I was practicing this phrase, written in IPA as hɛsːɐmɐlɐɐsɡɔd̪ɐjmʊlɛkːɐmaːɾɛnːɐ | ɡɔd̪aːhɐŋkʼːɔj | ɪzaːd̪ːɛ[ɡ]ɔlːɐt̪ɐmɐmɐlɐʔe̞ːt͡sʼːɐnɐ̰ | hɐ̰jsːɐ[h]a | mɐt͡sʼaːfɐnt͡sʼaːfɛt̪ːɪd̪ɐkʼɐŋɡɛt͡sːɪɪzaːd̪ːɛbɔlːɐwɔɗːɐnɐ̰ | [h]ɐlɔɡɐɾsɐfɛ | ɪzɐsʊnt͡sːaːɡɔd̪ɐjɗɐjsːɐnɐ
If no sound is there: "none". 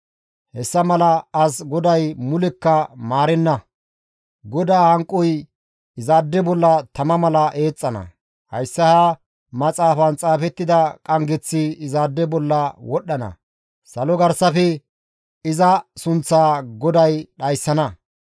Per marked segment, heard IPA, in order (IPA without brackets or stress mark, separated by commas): b, h, s